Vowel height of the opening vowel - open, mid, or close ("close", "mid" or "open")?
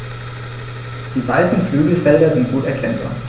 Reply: close